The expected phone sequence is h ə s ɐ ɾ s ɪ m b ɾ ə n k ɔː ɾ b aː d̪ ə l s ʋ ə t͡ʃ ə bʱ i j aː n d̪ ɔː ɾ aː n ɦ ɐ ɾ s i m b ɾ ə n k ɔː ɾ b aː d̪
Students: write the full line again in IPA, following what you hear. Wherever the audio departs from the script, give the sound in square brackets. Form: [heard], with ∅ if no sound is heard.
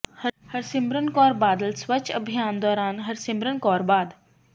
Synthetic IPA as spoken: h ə [h] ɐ ɾ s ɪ m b ɾ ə n k ɔː ɾ b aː d̪ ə l s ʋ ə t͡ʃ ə bʱ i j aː n d̪ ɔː ɾ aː n ɦ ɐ ɾ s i m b ɾ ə n k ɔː ɾ b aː d̪